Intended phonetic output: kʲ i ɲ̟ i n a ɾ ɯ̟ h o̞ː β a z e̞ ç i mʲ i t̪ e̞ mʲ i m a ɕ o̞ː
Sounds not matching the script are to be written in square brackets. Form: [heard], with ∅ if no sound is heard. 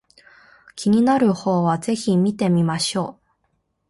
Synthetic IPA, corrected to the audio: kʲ i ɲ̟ i n a ɾ ɯ̟ h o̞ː β a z e̞ ç i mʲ i t̪ e̞ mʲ i m a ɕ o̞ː